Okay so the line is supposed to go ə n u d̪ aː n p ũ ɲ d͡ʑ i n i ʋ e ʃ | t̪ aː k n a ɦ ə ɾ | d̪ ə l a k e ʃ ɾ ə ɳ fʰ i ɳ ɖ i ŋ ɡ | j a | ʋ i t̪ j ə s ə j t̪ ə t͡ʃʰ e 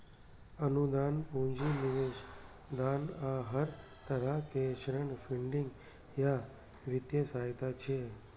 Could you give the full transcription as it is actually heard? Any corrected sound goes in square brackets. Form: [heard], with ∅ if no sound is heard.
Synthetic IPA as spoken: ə n u d̪ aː n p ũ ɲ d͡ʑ i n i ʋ e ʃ | [d̪] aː [∅] n a ɦ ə ɾ | [t̪] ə [ɾ] a k e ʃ ɾ ə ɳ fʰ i ɳ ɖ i ŋ ɡ | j a | ʋ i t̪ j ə s [a] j t̪ [a] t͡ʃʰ e